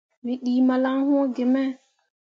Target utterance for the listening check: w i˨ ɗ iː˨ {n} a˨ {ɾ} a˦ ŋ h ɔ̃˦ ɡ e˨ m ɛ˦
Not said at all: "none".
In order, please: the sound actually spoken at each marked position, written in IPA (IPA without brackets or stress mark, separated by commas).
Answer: m, l